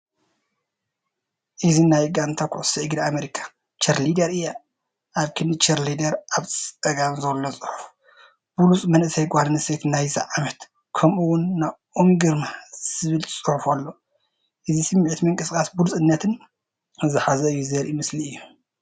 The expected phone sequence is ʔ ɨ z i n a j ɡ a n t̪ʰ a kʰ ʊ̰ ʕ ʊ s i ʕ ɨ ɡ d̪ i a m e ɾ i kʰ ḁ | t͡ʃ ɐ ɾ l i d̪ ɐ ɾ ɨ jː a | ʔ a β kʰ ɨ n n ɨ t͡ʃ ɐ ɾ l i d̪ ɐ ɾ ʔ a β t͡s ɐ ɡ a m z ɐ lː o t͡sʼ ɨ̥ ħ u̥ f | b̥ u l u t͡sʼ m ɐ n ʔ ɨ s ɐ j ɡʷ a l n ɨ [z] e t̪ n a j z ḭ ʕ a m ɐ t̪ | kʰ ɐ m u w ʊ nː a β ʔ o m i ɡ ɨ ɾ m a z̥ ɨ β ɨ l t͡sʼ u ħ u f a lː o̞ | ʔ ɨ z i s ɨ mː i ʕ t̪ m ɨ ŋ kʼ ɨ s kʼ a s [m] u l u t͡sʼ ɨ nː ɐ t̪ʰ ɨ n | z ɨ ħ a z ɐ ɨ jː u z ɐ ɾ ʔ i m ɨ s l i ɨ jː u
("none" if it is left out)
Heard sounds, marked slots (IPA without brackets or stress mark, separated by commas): s, b